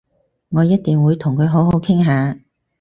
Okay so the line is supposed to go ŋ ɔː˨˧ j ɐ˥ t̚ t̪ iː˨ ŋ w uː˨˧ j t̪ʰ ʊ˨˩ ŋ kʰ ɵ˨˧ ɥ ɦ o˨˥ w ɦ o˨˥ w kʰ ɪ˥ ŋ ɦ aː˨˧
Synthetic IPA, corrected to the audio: ŋ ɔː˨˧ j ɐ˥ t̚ t̪ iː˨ ŋ w uː˨˧ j t̪ʰ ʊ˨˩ ŋ kʰ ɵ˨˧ ɥ ɦ o˨˥ w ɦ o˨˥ w kʰ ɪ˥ ŋ ɦ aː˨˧